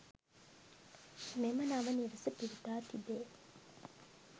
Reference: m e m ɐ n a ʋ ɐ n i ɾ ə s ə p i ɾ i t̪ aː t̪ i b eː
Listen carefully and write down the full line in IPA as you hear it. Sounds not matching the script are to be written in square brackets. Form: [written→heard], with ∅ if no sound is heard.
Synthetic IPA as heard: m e m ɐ n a ʋ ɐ n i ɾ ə s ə p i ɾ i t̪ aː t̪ i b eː